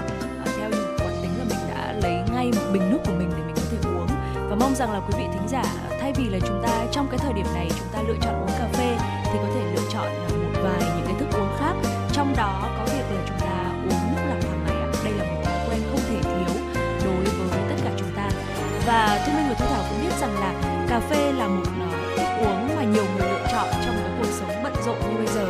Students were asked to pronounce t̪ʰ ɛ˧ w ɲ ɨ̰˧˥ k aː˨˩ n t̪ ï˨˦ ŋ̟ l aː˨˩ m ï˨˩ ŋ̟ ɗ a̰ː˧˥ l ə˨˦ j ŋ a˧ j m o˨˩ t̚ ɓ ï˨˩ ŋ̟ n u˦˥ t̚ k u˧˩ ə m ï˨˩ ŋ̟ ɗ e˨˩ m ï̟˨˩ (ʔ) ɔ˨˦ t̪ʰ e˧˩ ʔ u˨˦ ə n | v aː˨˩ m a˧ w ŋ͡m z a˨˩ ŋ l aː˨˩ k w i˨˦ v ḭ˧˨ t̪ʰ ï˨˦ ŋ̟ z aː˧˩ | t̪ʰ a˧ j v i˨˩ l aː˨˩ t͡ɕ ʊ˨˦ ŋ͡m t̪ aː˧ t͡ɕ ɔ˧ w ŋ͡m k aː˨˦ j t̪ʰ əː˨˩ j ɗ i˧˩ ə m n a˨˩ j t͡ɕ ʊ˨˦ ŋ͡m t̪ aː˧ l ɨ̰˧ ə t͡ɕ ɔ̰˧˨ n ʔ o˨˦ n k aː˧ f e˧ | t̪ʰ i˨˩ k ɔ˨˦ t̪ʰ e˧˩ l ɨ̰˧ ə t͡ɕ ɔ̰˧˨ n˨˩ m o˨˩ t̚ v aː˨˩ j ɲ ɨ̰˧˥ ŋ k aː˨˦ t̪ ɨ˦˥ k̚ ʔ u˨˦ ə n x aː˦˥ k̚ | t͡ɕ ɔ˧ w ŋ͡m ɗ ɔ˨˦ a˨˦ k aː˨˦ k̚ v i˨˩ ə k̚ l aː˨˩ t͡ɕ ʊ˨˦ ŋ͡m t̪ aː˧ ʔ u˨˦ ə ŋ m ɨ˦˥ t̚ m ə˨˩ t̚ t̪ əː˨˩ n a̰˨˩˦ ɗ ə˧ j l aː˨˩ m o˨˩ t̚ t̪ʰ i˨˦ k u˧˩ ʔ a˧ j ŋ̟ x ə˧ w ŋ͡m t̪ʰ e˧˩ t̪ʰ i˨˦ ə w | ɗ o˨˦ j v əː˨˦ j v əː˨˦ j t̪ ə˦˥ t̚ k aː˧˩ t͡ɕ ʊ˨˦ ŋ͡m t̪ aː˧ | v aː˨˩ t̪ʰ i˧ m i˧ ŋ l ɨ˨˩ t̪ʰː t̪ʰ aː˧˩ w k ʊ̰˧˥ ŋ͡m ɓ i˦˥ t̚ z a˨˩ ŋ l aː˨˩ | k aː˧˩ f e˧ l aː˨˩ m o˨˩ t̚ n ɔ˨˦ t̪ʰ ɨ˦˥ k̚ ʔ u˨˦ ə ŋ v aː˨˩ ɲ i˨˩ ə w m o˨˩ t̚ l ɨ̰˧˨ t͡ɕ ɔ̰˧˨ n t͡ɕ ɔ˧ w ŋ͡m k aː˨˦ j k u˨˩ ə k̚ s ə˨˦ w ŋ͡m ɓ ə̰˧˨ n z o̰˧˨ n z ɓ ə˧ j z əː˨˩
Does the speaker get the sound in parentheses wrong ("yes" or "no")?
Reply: yes